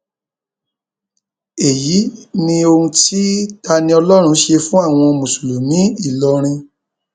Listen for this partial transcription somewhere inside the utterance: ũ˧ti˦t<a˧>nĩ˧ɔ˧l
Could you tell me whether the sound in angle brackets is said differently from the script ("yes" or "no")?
no